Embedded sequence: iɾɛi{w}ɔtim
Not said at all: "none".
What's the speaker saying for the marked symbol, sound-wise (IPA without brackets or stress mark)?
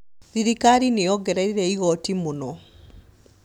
ɣ